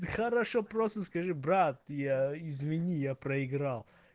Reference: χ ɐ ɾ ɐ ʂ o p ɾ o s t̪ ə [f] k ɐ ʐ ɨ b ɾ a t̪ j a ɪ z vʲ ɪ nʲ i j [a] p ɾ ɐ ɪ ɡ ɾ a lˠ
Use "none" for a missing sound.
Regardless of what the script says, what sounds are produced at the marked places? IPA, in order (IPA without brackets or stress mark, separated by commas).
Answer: s, a